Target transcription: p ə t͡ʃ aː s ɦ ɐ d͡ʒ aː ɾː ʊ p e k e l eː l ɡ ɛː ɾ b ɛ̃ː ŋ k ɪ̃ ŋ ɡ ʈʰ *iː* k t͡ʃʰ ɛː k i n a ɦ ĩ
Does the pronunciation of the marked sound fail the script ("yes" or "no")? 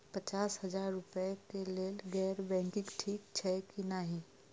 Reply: no